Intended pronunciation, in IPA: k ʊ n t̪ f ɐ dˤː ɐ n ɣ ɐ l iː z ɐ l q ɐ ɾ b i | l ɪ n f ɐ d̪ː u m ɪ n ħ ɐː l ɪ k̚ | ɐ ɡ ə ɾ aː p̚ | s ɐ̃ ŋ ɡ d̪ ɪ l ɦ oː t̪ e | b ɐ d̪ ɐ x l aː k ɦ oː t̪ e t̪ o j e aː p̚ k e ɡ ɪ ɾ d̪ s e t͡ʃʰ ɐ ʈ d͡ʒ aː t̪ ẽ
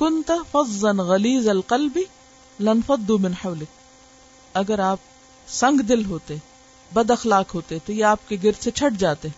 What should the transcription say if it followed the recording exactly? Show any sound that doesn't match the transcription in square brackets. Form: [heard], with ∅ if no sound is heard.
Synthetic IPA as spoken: k ʊ n t̪ f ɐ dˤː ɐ n ɣ ɐ l iː z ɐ l q ɐ [l] b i | l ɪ n f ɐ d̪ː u m ɪ n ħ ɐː l ɪ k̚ | ɐ ɡ ə ɾ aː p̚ | s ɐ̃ ŋ ɡ d̪ ɪ l ɦ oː t̪ e | b ɐ d̪ ɐ x l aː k ɦ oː t̪ e t̪ o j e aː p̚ k e ɡ ɪ ɾ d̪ s e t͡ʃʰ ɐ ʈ d͡ʒ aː t̪ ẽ